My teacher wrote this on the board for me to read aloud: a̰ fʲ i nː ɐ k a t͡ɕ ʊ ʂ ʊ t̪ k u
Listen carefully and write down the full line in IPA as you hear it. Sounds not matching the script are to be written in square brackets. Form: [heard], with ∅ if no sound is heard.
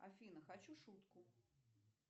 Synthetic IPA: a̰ fʲ i [n] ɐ [x] a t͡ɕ [u] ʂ [u] t̪ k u